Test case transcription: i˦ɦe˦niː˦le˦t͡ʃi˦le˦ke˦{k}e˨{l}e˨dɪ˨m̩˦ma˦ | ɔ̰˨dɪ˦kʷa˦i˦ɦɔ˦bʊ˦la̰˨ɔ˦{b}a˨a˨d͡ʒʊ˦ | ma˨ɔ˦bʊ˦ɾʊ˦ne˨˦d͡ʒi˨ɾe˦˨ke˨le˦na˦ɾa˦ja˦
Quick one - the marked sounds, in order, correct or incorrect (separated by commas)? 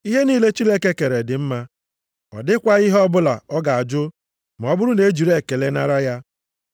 correct, incorrect, incorrect